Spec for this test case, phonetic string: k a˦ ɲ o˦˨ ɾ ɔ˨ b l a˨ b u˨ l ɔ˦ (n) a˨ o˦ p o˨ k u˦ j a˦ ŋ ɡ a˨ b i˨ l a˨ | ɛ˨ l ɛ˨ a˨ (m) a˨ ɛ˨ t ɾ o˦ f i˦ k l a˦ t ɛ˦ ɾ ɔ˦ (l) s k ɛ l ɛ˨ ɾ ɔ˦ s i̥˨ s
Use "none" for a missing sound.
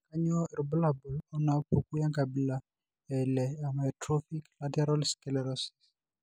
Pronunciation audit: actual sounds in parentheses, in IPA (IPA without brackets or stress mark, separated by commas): n, m, l